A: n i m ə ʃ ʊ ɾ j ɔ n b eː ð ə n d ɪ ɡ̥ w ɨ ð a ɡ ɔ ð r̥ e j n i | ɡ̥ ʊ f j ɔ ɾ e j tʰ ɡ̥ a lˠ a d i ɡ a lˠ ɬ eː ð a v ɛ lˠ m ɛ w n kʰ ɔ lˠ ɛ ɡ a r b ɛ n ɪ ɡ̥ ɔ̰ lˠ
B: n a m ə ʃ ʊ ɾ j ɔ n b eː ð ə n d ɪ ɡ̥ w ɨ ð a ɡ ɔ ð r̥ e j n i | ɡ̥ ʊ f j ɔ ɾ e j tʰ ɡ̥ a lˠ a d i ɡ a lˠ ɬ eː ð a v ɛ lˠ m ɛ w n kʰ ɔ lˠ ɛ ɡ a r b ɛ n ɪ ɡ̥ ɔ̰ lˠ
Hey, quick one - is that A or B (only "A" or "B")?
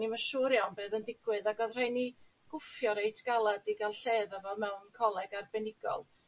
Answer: A